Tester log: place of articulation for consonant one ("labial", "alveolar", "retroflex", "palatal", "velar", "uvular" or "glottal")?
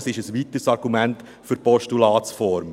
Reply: alveolar